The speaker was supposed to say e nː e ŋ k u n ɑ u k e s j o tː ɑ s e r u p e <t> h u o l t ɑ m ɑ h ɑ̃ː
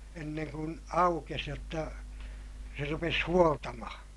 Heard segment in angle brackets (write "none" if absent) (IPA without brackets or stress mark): s